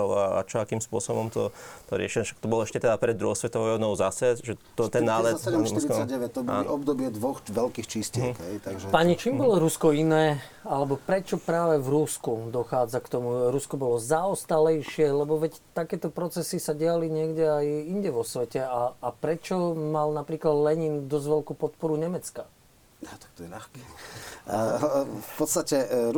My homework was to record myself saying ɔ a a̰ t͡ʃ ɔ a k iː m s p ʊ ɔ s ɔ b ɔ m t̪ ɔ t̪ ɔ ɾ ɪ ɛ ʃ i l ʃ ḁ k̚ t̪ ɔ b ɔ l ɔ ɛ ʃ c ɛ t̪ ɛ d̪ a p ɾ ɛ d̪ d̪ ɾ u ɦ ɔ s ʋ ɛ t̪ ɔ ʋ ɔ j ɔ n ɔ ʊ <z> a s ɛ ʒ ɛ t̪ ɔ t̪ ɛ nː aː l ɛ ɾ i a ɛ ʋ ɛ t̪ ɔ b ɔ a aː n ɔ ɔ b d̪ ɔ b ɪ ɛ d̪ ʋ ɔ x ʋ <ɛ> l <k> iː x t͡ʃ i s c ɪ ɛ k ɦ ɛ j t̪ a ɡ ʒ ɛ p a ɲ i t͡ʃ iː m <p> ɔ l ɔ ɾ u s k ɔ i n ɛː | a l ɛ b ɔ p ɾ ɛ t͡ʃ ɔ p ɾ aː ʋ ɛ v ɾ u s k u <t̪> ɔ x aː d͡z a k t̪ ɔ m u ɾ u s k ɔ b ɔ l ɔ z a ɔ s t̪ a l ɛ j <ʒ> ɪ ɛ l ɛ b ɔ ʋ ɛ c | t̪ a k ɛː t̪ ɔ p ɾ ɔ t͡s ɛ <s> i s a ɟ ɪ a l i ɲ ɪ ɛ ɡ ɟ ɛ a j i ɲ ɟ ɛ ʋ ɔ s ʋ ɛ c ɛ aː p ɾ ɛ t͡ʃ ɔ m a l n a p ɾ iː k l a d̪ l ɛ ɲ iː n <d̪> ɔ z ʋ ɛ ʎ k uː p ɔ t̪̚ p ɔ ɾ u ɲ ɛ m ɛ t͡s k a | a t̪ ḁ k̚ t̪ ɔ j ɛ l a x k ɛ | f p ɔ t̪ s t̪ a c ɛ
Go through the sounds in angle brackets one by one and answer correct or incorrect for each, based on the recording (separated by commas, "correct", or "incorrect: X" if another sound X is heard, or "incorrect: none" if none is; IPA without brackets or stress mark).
correct, correct, correct, incorrect: b, incorrect: d̪, incorrect: ʃ, correct, correct